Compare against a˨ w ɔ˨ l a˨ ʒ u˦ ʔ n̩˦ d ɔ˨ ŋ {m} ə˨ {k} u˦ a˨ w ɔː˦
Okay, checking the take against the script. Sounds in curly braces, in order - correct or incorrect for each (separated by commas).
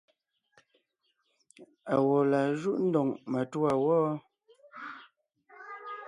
correct, incorrect